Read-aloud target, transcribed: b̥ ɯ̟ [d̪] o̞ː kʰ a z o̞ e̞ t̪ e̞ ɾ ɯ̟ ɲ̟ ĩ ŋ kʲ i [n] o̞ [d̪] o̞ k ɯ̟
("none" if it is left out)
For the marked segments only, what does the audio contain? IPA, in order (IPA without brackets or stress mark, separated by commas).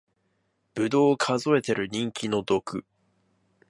d̪, n, d̪